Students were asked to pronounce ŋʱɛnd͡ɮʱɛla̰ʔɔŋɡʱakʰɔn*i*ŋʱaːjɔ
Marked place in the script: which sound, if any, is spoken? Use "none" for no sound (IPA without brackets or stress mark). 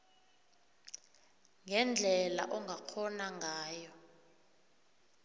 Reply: a